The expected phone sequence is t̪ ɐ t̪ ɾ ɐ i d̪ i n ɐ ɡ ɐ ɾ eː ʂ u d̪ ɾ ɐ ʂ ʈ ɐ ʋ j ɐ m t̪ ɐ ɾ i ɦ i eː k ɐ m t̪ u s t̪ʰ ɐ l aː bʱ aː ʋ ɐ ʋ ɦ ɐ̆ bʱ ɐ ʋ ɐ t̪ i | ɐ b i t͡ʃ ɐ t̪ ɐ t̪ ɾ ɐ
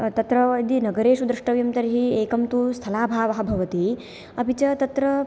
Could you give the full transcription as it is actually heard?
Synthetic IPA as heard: t̪ ɐ t̪ ɾ ɐ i d̪ i n ɐ ɡ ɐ ɾ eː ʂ u d̪ ɾ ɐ ʂ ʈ ɐ ʋ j ɐ m t̪ ɐ ɾ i ɦ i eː k ɐ m t̪ u s t̪ʰ ɐ l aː bʱ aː ʋ ɐ ɦ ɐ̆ bʱ ɐ ʋ ɐ t̪ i | ɐ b i t͡ʃ ɐ t̪ ɐ t̪ ɾ ɐ